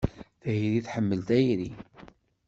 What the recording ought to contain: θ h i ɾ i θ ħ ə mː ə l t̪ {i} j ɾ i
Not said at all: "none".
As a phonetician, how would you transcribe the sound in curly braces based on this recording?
æ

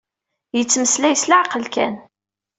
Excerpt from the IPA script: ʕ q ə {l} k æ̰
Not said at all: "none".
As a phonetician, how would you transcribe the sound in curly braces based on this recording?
l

